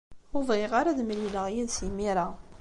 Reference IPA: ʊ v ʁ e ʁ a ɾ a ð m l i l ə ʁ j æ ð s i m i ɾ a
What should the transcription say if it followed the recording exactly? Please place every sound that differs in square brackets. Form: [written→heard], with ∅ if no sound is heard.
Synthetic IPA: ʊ v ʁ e ʁ a ɾ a ð m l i l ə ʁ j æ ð s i m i ɾ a